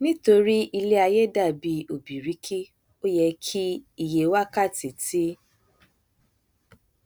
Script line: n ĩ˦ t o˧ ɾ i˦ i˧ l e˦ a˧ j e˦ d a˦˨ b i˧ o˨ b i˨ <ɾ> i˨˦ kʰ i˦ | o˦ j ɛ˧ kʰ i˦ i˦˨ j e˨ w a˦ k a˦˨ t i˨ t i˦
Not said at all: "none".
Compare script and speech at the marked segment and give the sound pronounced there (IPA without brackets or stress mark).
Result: ɾ